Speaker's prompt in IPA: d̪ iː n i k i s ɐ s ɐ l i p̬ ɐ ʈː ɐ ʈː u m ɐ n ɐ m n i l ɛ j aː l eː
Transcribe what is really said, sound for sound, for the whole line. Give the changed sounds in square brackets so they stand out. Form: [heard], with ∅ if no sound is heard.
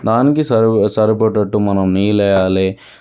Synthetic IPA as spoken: d̪ [aː] n i k i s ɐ s ɐ [ɾ] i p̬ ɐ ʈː ɐ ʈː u m ɐ n ɐ m n [iː] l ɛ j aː l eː